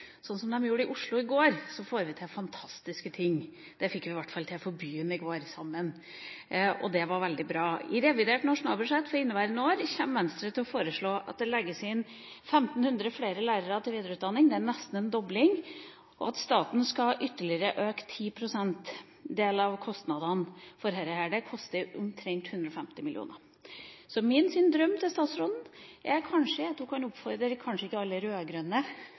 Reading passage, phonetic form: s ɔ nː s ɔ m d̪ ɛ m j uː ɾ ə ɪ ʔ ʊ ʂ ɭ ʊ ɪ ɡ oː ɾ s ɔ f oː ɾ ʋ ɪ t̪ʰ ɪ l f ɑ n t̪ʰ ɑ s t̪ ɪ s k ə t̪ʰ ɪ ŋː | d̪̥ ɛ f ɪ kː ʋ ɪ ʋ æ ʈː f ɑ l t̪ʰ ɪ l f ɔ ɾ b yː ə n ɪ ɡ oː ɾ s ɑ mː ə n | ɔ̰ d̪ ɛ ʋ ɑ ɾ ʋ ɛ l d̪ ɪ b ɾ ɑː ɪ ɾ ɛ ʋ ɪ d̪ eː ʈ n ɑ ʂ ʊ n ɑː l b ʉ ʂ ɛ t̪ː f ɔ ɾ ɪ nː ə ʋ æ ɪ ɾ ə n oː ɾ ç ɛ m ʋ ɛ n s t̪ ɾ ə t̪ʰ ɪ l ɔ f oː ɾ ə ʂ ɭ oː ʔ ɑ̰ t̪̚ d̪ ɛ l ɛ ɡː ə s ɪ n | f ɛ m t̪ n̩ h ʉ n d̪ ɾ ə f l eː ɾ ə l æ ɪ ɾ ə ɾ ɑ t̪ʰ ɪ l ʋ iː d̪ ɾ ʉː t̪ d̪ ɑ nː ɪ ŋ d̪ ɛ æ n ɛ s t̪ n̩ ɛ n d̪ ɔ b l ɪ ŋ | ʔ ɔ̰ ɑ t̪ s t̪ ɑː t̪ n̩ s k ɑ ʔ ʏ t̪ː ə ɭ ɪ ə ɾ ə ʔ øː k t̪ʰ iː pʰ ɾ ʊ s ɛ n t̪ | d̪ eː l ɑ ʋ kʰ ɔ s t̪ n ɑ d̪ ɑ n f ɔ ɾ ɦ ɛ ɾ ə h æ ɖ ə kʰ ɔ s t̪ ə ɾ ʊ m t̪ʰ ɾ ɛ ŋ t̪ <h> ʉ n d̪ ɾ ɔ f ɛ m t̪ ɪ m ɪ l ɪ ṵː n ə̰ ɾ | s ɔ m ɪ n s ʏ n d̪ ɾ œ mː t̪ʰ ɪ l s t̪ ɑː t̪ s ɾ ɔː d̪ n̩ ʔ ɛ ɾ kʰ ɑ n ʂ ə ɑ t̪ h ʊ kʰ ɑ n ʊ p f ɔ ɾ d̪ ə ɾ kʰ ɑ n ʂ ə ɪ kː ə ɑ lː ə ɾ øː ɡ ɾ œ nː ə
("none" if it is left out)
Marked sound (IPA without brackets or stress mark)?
h